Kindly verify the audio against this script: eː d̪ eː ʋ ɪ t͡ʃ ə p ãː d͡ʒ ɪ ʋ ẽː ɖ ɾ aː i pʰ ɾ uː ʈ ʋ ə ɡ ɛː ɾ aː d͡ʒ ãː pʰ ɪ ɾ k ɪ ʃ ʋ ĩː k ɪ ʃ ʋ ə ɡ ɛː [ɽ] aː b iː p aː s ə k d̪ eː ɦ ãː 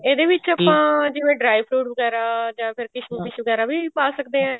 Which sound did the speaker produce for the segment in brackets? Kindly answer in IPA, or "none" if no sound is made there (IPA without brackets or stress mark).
ɾ